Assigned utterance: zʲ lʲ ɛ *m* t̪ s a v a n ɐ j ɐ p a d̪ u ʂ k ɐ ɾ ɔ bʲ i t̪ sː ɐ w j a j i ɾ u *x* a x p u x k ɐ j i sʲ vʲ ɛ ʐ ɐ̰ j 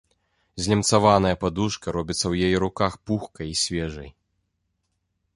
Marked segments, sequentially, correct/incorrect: correct, incorrect

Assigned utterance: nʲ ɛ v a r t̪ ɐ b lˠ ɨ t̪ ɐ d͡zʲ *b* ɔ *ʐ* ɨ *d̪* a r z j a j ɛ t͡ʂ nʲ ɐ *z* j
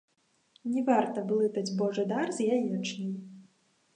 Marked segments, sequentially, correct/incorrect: correct, correct, correct, incorrect

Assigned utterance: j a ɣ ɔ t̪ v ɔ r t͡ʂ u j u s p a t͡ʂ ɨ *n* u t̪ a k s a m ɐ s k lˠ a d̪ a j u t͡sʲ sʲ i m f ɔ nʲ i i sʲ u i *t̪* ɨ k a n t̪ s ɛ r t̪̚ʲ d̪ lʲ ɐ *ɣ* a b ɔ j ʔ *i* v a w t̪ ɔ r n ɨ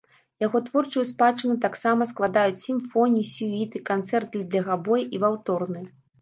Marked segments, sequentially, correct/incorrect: correct, correct, correct, correct

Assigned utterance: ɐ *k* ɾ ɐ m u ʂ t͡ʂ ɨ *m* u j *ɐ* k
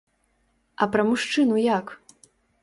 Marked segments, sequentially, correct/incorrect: incorrect, incorrect, incorrect

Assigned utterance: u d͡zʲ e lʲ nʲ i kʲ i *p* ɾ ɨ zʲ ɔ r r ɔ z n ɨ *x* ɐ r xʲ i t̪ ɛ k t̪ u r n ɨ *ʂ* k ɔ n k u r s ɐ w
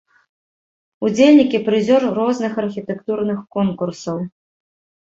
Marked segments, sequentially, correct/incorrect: correct, correct, incorrect

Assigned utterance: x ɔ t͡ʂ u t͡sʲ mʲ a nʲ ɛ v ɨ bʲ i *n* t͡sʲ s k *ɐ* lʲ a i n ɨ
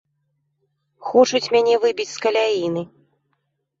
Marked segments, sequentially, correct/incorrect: incorrect, correct

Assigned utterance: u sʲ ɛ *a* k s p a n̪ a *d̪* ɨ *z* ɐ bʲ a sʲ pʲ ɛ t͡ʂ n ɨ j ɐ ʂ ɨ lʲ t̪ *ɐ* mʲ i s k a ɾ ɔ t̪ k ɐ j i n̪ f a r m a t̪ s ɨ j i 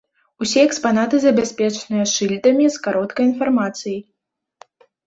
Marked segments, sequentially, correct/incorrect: incorrect, incorrect, correct, correct

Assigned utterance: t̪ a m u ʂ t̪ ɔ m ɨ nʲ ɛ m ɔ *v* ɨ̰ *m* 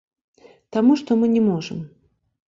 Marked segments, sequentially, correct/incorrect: incorrect, correct

